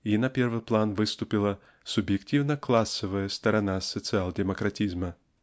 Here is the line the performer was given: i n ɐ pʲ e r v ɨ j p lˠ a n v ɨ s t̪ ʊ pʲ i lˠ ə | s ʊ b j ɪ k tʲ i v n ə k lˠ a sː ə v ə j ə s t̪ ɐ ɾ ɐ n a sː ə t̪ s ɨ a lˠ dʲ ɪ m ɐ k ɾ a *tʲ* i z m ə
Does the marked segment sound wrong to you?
no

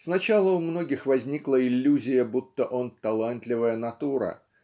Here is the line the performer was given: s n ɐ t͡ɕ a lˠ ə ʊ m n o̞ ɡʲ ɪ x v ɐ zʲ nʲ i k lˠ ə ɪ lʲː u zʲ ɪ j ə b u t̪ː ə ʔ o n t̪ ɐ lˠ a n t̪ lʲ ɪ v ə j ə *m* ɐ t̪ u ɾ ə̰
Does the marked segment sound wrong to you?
yes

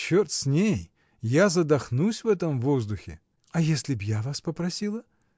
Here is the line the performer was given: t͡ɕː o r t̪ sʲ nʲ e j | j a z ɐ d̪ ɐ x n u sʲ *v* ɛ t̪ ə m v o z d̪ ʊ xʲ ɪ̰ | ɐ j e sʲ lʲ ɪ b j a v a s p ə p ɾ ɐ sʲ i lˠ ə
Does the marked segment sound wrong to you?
no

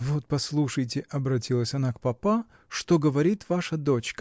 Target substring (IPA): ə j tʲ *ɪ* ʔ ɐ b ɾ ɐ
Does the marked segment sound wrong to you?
no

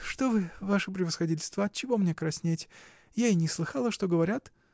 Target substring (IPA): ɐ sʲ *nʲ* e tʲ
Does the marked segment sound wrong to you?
no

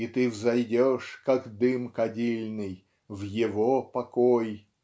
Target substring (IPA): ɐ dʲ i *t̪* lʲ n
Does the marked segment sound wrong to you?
yes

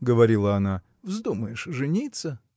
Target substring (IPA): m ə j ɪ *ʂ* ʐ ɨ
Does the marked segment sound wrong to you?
no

